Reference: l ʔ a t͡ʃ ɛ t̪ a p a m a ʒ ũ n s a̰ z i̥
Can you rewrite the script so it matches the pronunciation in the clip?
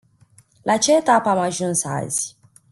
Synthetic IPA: l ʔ a t͡ʃ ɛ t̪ a p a m a ʒ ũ n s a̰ z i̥